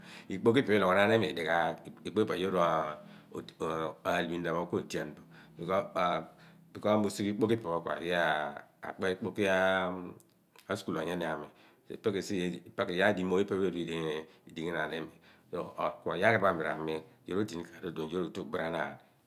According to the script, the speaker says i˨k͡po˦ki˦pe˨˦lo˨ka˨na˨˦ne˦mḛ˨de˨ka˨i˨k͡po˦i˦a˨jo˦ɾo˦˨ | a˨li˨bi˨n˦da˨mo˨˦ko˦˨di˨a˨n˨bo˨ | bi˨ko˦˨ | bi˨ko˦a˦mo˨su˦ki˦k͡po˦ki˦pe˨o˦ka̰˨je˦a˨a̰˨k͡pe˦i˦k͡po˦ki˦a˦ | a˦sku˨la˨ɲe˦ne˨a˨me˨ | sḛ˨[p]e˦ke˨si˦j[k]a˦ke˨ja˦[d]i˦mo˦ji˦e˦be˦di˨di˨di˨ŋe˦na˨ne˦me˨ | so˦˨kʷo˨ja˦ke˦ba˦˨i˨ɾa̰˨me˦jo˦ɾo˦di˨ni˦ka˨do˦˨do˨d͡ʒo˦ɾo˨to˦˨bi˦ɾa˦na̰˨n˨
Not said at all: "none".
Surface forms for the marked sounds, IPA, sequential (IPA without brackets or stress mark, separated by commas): p, p, d